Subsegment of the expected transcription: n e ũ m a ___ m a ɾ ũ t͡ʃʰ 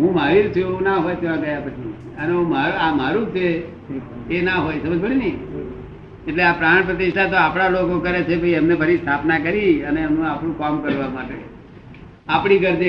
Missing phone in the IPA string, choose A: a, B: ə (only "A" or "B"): A